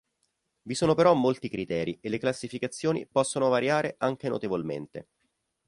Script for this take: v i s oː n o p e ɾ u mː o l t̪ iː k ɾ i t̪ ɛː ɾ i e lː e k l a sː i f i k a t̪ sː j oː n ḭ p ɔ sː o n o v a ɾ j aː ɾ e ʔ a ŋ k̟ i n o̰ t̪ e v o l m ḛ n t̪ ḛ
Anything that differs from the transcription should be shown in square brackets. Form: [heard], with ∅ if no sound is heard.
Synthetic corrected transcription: v i s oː n o p e ɾ [ɔ] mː o l t̪ [i] k ɾ i t̪ ɛː ɾ i e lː e k l a sː i f i k a t̪ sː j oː n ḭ p ɔ sː o n o v a ɾ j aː ɾ e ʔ a ŋ k̟ [e] n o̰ t̪ e v o l m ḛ n t̪ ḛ

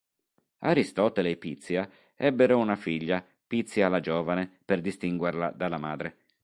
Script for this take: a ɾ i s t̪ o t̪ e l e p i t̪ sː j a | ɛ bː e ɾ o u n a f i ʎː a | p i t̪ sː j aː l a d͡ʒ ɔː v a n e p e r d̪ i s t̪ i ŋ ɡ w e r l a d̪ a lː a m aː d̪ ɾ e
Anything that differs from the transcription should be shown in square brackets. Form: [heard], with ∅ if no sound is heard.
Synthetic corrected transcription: a ɾ i s t̪ [ɔ] t̪ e l e p i t̪ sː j a | ɛ bː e ɾ o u n a f i ʎː a | p i t̪ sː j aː l a d͡ʒ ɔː v a n e p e r d̪ i s t̪ i ŋ ɡ w e r l a d̪ a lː a m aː d̪ ɾ e

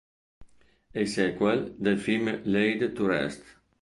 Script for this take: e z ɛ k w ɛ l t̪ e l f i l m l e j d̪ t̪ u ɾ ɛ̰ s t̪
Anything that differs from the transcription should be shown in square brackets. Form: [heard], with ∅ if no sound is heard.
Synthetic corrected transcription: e [s] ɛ k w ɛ l [d̪] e l f i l m l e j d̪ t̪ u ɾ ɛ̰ s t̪

